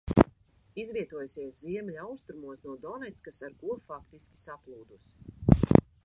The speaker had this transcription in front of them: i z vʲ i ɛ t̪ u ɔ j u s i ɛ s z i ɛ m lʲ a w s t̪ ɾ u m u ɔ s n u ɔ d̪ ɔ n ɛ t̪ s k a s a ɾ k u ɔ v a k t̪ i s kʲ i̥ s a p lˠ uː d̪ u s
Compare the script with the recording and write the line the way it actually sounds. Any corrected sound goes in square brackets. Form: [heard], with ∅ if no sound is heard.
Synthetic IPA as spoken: i z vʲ i ɛ t̪ u ɔ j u s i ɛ s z i ɛ m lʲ a w s t̪ ɾ u m u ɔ s n u ɔ d̪ ɔ n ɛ t̪ s k a s a ɾ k u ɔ [f] a k t̪ i s kʲ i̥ s a p lˠ uː d̪ u s